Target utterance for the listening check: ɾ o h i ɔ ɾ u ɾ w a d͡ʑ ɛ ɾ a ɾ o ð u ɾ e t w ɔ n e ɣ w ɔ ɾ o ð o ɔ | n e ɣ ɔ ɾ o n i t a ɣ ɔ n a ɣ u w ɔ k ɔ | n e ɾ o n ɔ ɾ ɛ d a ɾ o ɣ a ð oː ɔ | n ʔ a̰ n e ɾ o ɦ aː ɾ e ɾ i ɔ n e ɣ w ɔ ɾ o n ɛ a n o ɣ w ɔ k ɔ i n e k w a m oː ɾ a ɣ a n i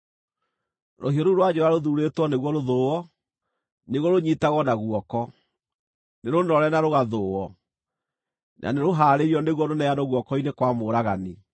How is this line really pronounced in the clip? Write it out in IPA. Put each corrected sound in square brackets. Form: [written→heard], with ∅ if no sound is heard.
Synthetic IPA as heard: ɾ o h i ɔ ɾ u ɾ w a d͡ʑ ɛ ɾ a ɾ o ð u ɾ e t w ɔ n e ɣ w ɔ ɾ o ð o ɔ | n e ɣ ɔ ɾ o [n→ɲ] i t a ɣ ɔ n a ɣ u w ɔ k ɔ | n e ɾ o n ɔ ɾ ɛ [d→n] a ɾ o ɣ a ð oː ɔ | n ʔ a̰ n e ɾ o ɦ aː ɾ e ɾ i ɔ n e ɣ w ɔ ɾ o n ɛ a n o ɣ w ɔ k ɔ i n e k w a m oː ɾ a ɣ a n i